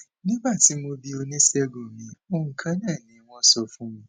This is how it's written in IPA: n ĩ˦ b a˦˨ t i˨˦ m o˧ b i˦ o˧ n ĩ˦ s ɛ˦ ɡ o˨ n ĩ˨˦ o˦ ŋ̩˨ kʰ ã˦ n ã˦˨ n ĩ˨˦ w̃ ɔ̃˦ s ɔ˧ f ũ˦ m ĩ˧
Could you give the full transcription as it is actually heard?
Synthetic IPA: n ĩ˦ b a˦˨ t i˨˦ m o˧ b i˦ o˧ n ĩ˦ s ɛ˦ ɡ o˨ m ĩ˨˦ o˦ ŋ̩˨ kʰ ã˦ n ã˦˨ n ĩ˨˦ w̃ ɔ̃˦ s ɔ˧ f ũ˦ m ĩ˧